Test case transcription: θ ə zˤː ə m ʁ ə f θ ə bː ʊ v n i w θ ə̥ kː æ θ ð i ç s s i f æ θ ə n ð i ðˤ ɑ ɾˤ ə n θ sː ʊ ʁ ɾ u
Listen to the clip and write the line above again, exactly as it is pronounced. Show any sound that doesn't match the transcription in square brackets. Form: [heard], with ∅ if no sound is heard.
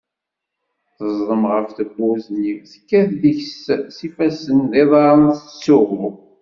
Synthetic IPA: θ ə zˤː ə m ʁ ə f θ ə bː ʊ [z] n i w θ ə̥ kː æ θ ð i ç s s i f æ [s] ə n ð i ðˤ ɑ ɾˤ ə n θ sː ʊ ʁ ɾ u